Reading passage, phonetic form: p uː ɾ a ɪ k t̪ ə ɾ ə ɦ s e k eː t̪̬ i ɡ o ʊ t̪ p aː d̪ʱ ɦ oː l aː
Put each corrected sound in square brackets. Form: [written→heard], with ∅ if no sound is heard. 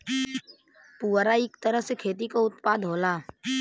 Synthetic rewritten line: p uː ɾ a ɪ k t̪ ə ɾ ə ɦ s e [k→kʰ] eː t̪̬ i [ɡ→k] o ʊ t̪ p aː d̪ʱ ɦ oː l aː